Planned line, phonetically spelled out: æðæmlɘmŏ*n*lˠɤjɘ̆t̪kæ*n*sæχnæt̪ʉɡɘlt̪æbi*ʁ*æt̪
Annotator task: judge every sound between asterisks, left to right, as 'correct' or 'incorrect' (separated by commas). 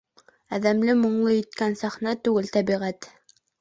incorrect, correct, correct